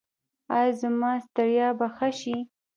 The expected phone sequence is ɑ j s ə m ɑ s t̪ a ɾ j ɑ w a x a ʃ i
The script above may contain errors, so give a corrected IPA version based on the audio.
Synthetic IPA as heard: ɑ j z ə m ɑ s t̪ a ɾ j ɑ b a x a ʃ i